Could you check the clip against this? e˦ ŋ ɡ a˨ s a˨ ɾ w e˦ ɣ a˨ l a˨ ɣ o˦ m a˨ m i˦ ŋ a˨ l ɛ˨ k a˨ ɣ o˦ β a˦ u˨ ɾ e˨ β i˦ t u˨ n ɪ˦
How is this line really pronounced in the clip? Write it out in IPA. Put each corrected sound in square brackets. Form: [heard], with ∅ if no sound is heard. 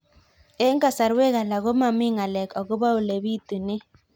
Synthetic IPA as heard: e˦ ŋ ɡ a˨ s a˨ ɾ w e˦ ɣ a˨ l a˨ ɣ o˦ m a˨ m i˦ ŋ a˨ l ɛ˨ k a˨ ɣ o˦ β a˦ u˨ [l] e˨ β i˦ t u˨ n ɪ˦